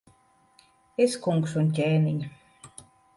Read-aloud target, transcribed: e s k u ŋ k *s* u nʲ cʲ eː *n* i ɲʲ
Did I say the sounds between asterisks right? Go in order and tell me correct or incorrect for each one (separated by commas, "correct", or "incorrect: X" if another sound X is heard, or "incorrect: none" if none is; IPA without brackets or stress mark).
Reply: correct, correct